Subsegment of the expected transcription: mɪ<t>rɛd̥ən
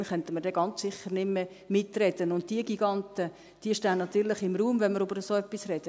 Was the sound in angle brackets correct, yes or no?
yes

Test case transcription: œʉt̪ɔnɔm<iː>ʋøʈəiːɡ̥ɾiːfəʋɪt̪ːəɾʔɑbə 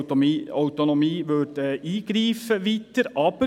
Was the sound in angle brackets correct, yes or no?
yes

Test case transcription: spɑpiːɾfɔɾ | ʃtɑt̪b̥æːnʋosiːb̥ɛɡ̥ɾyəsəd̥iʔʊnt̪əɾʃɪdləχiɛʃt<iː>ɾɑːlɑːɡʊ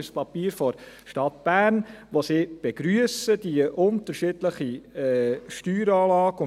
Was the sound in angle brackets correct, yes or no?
no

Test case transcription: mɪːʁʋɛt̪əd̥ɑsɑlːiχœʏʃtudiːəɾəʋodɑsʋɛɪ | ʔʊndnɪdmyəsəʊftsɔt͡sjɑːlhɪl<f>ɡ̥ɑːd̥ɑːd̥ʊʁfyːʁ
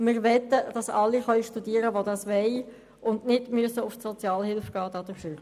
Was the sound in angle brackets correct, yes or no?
yes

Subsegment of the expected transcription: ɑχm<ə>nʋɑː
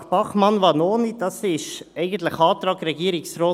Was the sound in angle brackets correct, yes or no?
no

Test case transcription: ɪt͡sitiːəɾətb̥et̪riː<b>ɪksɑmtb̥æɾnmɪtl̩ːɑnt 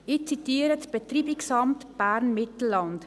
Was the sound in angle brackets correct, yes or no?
yes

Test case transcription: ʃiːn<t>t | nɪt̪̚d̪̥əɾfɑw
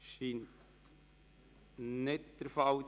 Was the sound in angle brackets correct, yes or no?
yes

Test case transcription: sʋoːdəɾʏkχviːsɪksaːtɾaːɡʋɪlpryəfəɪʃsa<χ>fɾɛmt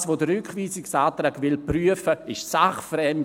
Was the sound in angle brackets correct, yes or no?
yes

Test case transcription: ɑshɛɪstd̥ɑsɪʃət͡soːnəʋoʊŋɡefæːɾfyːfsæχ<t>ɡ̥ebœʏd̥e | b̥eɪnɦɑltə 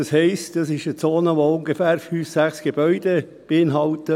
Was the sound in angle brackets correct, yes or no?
no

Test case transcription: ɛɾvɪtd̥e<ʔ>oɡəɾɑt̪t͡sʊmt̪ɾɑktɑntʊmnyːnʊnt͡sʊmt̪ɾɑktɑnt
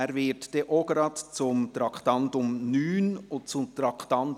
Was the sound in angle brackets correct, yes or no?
yes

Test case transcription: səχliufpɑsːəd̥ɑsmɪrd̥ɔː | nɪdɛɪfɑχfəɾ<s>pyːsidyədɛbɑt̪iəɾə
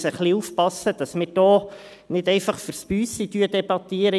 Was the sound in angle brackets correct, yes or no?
yes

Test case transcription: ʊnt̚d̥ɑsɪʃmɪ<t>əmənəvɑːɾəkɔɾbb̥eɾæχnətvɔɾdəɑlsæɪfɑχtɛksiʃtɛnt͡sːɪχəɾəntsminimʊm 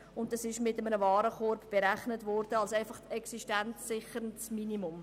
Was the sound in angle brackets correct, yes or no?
yes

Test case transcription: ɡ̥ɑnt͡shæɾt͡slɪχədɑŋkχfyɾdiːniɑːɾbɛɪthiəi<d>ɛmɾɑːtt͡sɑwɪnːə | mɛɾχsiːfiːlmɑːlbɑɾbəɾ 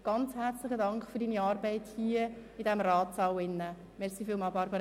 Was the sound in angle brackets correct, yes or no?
yes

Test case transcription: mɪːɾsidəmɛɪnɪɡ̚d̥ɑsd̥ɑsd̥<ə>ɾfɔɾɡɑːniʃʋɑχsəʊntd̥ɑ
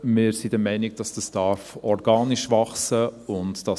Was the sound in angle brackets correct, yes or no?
no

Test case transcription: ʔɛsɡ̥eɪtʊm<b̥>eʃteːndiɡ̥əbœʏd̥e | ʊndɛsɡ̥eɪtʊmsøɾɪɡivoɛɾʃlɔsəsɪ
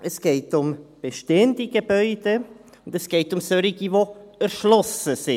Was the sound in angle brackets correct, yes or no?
yes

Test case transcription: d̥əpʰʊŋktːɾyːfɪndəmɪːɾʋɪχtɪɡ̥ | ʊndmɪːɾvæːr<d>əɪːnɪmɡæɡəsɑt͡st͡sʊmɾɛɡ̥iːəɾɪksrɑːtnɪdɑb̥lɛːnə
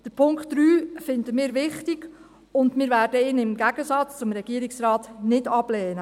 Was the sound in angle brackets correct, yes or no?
yes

